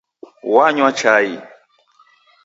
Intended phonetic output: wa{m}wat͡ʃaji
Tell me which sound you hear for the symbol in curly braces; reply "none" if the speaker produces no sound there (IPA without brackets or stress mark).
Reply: ɲ